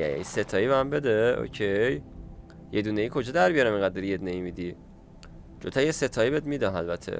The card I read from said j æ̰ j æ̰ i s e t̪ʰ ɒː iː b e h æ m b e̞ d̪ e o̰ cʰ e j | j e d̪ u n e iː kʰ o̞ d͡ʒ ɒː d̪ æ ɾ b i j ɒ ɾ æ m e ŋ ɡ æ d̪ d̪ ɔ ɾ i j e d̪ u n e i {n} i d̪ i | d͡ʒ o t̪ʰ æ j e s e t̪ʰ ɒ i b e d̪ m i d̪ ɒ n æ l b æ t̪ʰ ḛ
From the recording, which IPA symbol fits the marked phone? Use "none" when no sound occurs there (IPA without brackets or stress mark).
m